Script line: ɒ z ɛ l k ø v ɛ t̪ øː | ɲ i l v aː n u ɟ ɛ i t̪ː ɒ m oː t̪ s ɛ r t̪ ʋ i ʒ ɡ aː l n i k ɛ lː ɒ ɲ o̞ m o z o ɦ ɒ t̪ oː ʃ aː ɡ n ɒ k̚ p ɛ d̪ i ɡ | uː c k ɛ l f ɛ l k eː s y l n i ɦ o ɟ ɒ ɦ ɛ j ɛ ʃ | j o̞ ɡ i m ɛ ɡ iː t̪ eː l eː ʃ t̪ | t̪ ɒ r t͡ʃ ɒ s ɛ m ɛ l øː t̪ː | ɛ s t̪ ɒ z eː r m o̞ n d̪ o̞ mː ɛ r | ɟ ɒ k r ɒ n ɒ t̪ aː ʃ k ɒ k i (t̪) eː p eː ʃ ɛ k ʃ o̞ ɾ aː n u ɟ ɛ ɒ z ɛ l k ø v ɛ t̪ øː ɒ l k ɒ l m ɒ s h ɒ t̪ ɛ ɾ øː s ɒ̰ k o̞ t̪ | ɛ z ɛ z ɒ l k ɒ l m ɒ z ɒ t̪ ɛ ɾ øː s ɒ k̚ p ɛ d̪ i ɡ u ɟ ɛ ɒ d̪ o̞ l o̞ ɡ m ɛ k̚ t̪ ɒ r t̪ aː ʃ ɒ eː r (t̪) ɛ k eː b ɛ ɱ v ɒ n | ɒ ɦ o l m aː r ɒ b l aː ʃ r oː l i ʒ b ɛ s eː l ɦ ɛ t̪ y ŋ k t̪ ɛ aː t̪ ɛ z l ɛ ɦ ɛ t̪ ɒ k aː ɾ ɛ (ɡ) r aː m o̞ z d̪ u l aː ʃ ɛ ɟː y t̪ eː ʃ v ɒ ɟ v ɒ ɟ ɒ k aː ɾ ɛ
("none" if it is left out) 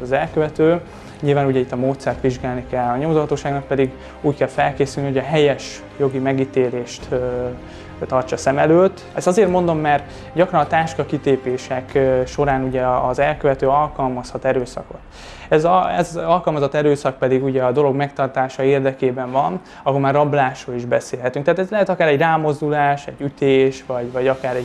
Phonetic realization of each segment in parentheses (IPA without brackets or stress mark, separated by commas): t̪, d̪, ɟ